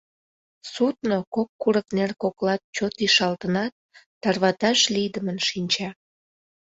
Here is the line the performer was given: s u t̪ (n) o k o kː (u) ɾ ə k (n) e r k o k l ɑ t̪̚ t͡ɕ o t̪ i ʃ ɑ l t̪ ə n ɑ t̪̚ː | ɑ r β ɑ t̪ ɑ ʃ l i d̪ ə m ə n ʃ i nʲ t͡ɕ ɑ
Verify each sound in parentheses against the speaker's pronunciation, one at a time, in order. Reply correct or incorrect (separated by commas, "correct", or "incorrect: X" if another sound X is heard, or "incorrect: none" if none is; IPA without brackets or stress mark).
correct, correct, correct